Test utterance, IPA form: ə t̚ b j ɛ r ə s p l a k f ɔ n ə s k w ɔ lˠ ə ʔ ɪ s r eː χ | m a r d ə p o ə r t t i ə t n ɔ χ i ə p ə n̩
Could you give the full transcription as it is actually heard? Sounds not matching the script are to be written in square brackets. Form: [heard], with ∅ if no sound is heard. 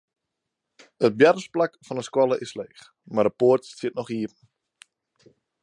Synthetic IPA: ə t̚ b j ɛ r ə s p l a k f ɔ n ə s k w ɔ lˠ ə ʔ ɪ s [l] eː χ | m a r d ə p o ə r t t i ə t n ɔ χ i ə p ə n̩